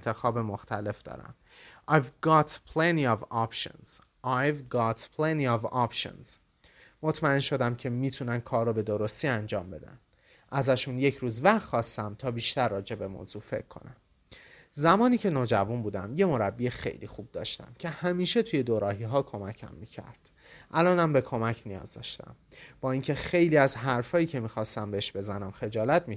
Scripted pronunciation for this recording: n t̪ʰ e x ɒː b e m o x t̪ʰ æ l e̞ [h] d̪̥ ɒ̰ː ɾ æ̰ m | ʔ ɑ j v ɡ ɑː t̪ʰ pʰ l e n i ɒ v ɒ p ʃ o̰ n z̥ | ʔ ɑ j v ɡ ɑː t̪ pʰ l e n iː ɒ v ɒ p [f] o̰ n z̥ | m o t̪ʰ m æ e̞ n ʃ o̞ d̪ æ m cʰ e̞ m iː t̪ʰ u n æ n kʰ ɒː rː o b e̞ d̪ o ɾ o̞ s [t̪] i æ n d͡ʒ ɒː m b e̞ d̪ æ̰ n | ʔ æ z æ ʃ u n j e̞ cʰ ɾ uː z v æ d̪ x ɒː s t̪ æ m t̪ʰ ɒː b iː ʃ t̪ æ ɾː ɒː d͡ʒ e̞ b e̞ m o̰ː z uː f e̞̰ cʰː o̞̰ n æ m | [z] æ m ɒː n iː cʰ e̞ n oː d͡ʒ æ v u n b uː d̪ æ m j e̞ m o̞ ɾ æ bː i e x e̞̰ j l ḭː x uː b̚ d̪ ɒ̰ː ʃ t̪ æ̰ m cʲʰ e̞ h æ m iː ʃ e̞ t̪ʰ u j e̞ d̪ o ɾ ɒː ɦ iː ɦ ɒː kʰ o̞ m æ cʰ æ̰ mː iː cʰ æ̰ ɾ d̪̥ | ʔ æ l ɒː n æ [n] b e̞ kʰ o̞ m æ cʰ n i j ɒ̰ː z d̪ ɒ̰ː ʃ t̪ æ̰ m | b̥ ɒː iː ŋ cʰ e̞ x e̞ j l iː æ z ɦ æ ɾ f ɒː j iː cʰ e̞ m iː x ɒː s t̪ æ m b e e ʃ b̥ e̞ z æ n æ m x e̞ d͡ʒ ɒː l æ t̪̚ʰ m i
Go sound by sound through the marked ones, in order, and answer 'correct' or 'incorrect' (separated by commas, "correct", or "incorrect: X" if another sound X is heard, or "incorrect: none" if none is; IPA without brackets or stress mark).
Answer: incorrect: f, incorrect: ʃ, correct, correct, incorrect: m